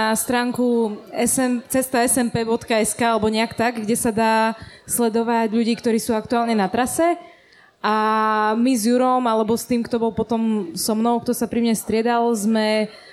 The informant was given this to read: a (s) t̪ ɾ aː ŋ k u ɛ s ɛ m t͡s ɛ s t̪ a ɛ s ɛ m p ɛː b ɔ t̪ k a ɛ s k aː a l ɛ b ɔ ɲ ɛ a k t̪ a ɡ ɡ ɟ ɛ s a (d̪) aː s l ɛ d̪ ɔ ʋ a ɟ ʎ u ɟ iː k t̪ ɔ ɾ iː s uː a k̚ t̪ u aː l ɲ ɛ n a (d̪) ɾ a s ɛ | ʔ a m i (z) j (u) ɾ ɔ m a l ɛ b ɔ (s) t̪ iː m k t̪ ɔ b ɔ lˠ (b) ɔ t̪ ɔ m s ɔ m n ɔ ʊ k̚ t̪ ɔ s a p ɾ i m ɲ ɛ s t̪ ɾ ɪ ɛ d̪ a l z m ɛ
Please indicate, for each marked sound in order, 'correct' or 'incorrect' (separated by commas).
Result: correct, correct, incorrect, correct, correct, correct, incorrect